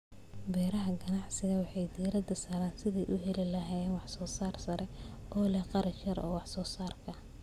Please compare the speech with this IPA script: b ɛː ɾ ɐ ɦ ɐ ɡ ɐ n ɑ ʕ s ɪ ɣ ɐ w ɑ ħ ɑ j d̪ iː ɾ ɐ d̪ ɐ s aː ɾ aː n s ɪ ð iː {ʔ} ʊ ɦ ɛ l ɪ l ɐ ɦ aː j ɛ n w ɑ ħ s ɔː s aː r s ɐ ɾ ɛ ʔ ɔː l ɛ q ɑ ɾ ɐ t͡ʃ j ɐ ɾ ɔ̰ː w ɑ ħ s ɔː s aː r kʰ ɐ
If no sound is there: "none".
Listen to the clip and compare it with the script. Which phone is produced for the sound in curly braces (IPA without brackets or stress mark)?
ʔ